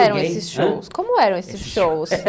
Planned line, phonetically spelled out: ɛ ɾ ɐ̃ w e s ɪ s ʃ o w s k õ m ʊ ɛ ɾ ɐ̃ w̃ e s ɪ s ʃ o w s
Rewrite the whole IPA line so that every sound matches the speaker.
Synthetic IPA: ɛ ɾ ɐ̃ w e s ɪ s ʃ o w s k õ m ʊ ɛ ɾ ɐ̃ w̃ e s ɪ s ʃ o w s